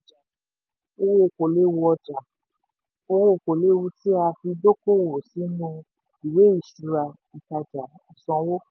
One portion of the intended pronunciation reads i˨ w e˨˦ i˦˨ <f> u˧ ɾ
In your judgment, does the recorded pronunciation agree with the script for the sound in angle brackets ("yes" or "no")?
no